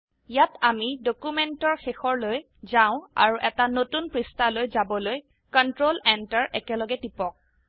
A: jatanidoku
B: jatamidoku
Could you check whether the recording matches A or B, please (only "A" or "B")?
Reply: B